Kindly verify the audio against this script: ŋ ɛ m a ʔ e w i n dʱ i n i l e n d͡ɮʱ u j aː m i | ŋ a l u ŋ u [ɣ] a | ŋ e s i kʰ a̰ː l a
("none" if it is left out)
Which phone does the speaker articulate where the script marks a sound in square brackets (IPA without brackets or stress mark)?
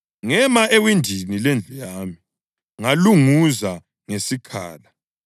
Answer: z